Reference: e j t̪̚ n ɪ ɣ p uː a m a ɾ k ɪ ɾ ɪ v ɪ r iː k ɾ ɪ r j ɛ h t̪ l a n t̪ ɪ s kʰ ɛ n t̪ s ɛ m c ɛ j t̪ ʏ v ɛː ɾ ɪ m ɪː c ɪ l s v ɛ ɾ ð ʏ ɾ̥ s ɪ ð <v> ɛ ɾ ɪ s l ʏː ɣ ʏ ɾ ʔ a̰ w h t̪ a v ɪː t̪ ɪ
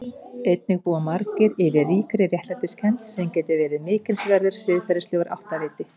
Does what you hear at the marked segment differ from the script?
yes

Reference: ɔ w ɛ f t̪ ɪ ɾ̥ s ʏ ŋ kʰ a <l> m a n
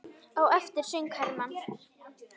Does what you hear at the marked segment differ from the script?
yes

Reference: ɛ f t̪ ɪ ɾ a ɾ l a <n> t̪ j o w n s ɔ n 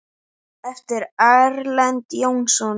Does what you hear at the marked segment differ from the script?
no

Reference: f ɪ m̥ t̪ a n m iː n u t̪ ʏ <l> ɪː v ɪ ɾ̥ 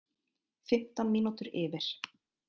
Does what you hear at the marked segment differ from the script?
yes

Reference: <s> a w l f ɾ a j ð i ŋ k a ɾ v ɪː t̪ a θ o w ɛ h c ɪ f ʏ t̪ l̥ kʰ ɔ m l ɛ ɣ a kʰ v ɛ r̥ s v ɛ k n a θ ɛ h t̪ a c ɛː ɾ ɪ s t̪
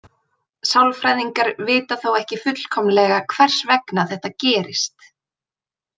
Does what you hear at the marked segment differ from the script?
no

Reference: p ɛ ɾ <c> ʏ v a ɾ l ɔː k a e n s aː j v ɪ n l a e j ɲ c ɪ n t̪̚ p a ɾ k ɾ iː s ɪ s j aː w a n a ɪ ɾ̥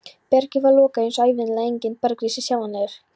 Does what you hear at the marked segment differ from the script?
no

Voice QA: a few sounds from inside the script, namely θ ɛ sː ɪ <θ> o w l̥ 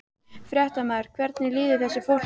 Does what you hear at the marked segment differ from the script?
yes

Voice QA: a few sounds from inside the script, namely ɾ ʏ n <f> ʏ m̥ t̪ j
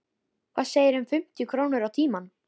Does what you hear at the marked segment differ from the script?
no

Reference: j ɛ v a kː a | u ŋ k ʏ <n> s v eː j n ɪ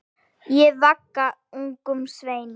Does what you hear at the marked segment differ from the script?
yes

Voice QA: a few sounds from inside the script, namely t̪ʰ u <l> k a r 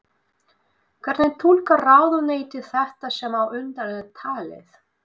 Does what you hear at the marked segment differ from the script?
no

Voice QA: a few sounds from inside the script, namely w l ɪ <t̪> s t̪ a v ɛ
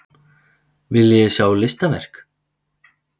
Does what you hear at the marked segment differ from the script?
yes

